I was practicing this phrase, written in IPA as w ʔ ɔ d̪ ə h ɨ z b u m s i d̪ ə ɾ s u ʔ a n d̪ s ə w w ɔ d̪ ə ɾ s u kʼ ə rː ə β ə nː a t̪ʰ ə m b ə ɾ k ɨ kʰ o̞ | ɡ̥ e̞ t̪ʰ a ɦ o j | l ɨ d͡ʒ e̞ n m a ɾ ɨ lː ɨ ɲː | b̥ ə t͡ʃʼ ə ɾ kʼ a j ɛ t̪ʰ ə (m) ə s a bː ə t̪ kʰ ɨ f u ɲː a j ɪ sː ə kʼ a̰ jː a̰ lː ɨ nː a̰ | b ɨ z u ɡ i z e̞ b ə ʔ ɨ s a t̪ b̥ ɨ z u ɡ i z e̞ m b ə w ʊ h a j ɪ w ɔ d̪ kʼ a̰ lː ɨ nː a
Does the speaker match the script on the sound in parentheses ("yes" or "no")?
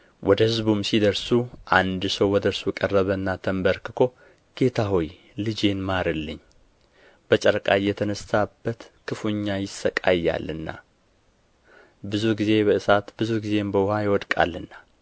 no